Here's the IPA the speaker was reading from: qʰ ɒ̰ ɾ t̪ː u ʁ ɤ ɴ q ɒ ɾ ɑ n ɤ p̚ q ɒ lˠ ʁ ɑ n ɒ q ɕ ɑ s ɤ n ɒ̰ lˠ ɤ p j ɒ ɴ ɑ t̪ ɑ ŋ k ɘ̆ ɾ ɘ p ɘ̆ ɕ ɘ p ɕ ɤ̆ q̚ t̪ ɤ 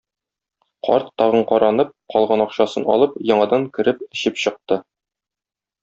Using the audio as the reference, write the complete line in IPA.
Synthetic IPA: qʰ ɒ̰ ɾ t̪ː ɒ ʁ ɤ ɴ q ɒ ɾ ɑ n ɤ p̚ q ɒ lˠ ʁ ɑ n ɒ q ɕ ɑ s ɤ n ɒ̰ lˠ ɤ p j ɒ ɴ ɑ d̪ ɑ ŋ k ɘ̆ ɾ ɘ p ɘ̆ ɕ ɘ p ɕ ɤ̆ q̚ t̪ ɤ